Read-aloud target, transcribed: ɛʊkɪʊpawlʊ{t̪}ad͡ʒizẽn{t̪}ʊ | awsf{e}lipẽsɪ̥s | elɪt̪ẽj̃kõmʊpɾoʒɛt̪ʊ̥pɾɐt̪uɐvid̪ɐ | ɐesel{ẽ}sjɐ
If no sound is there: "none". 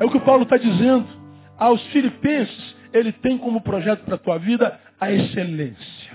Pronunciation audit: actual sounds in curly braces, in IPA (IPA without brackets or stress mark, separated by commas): t̪, d̪, i, ẽ